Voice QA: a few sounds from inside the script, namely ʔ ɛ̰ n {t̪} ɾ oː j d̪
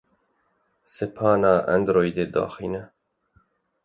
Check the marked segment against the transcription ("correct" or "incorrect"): incorrect